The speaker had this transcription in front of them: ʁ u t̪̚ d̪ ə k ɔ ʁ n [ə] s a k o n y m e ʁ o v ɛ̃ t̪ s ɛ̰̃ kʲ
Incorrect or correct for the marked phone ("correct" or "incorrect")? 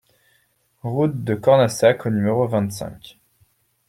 incorrect